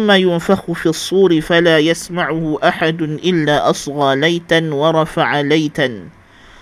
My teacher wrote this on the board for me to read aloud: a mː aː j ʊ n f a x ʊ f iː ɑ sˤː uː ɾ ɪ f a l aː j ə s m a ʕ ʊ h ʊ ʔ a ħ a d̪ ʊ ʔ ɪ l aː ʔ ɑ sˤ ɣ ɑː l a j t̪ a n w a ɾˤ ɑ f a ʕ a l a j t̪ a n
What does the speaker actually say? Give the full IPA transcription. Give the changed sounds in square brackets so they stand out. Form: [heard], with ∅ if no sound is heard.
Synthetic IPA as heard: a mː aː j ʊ n f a x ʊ f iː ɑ sˤː uː ɾ ɪ f a l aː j [a] s m a ʕ ʊ h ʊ ʔ a ħ a d̪ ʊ ʔ ɪ [lː] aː ʔ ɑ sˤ ɣ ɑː l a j t̪ a n w [ɑ] ɾˤ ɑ f a ʕ a l a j t̪ a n